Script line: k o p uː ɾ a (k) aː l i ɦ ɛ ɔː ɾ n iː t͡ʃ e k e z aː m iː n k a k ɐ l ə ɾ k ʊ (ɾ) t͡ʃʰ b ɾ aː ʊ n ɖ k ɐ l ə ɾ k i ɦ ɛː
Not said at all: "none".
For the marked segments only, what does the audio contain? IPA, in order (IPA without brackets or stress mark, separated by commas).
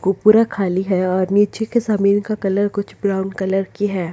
kʰ, none